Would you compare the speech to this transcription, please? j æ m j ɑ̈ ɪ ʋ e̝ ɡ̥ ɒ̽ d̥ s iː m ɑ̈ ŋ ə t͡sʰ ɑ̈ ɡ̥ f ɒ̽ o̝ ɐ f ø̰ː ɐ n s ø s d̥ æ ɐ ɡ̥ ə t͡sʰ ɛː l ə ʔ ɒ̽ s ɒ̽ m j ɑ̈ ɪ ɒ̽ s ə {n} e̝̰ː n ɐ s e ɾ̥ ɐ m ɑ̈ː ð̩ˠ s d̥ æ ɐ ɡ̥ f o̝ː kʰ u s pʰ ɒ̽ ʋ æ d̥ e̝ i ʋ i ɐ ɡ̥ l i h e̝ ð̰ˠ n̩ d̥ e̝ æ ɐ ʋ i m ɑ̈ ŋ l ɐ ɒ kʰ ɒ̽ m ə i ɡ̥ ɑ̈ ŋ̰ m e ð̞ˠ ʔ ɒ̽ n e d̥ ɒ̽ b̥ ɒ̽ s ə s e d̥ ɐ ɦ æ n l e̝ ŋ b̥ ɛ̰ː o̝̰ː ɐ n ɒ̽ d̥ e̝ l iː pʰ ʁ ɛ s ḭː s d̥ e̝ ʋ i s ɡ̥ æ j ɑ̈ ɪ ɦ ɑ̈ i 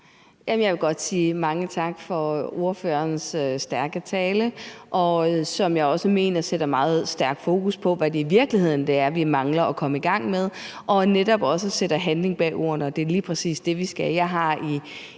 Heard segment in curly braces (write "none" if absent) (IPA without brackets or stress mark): m